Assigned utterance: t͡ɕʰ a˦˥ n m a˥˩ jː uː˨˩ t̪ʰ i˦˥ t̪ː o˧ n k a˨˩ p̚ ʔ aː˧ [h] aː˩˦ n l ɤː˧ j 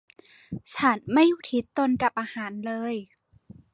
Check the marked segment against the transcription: correct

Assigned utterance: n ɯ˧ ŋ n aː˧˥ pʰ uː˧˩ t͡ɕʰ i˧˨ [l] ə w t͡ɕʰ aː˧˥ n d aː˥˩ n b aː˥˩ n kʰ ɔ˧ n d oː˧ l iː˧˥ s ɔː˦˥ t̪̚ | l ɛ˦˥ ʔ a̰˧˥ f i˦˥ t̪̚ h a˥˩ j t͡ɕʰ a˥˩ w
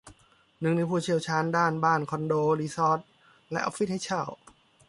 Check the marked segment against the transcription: incorrect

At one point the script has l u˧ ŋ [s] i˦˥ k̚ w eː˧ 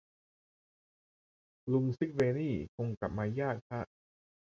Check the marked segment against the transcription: correct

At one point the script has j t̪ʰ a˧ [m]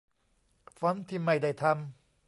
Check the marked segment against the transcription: correct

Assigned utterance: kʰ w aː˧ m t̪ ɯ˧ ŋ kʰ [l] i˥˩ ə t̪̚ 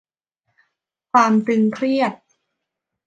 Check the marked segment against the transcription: incorrect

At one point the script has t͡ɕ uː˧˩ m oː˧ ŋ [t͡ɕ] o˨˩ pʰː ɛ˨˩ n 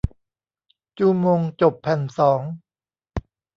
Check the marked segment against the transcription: correct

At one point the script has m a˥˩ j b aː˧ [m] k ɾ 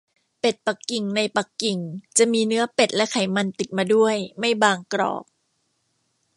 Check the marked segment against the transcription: incorrect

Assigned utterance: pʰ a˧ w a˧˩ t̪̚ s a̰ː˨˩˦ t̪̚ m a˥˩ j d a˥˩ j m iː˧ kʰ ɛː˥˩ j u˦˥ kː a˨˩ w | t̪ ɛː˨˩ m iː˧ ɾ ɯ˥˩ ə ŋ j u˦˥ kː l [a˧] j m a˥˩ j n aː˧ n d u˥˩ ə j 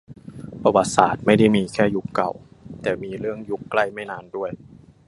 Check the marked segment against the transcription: incorrect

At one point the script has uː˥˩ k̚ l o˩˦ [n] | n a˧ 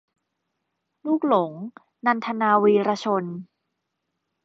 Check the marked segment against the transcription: incorrect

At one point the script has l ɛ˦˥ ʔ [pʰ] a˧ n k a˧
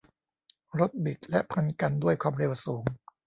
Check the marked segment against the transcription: correct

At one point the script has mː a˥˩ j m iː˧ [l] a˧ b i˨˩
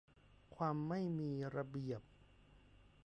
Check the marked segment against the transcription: incorrect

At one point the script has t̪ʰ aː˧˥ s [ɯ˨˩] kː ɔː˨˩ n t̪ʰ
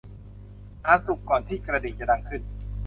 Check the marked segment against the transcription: incorrect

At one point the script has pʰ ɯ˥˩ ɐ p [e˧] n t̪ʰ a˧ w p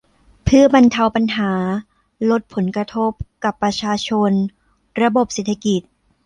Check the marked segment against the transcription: incorrect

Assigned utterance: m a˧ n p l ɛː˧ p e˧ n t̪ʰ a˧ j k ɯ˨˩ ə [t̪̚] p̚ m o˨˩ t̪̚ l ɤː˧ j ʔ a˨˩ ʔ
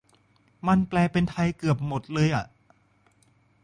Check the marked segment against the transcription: incorrect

